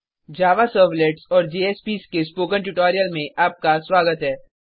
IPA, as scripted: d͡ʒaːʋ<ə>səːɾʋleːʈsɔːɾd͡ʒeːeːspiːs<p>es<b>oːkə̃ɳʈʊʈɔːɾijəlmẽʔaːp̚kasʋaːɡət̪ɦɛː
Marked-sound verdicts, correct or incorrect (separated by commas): incorrect, incorrect, incorrect